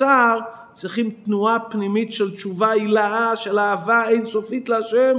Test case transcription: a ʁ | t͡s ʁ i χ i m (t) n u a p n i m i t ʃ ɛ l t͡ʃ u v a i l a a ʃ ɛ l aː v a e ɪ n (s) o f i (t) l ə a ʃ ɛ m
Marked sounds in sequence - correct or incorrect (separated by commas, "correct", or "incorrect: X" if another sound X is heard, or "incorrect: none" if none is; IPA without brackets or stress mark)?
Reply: correct, correct, correct